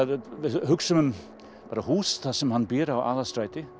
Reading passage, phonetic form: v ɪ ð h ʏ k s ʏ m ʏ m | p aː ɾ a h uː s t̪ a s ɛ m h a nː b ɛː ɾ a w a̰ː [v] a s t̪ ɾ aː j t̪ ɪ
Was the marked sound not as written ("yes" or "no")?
yes